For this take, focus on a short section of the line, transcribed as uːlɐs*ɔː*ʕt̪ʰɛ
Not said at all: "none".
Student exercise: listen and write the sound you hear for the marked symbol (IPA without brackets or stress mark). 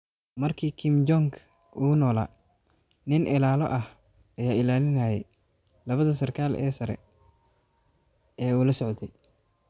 ɔ